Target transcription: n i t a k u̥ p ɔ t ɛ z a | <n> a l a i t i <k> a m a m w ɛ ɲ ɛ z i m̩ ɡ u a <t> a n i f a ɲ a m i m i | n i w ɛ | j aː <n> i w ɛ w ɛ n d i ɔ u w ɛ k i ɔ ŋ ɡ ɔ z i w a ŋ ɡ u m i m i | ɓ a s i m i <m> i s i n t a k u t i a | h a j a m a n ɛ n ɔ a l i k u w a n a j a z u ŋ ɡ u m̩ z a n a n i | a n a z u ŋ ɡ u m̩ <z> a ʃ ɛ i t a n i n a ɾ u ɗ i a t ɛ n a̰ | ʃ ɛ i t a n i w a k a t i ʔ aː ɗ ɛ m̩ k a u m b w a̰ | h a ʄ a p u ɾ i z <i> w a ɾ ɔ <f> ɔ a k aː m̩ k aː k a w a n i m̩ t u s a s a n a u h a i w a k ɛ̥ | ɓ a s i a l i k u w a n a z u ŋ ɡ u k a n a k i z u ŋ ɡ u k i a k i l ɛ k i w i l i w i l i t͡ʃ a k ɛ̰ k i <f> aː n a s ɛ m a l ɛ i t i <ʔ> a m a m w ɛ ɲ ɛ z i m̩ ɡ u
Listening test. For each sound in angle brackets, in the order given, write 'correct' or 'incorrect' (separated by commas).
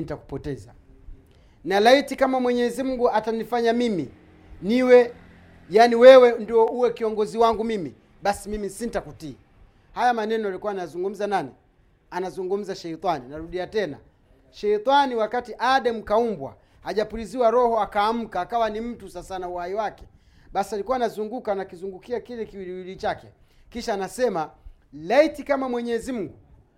correct, correct, correct, correct, correct, correct, correct, incorrect, incorrect, incorrect